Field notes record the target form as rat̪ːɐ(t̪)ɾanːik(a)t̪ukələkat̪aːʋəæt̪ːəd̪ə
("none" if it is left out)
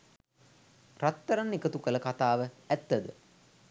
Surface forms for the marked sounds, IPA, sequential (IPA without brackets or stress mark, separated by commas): none, ə